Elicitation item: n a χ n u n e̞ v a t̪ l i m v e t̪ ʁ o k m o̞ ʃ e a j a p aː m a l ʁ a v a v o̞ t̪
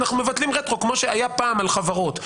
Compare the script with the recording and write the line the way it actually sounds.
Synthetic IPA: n a χ n u m e̞ v a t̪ l i m ʁ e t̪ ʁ o k m o̞ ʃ e a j a p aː m a l χ a v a ʁ o̞ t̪